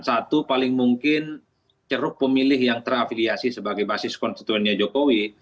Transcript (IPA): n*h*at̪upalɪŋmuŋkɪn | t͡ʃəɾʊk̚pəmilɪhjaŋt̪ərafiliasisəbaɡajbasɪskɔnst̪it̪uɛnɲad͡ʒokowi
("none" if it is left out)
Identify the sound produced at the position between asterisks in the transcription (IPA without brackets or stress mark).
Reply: s